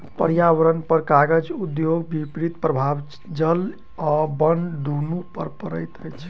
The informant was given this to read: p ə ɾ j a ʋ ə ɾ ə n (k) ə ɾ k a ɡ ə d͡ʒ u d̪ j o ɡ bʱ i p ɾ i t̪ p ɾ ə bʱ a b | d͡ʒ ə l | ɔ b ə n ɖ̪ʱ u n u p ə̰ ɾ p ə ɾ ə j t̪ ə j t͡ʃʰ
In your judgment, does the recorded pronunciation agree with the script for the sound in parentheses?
no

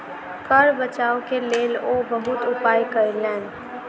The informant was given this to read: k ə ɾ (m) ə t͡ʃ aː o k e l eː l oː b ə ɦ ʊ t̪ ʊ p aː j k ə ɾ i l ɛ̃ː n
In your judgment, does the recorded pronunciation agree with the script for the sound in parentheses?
no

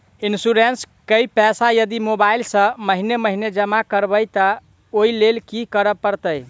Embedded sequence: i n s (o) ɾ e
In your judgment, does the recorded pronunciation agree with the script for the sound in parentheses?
no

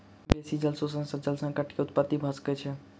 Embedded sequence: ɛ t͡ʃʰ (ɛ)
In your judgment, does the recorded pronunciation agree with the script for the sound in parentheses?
yes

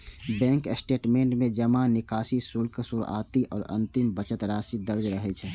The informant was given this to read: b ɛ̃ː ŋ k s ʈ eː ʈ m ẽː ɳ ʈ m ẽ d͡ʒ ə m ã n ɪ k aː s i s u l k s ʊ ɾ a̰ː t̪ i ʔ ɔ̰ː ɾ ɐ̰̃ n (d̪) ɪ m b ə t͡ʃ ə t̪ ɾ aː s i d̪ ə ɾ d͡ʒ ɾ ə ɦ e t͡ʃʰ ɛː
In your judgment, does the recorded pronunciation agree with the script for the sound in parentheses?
no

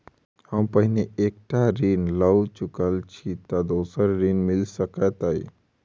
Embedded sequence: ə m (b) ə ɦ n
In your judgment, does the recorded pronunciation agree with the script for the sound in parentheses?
no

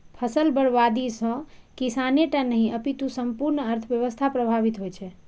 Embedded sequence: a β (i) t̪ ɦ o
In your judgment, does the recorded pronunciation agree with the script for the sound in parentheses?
yes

